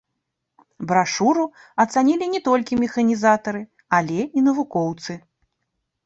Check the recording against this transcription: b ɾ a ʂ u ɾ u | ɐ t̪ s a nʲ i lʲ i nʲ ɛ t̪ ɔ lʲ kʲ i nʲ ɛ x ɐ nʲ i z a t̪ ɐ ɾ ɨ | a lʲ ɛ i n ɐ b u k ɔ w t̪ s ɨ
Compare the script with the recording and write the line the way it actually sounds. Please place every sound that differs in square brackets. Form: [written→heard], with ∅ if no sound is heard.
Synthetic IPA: b ɾ a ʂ u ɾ u | ɐ t̪ s a nʲ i lʲ i nʲ ɛ t̪ ɔ lʲ kʲ i [nʲ→mʲ] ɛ x ɐ nʲ i z a t̪ ɐ ɾ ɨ | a lʲ ɛ i n ɐ [b→v] u k ɔ w t̪ s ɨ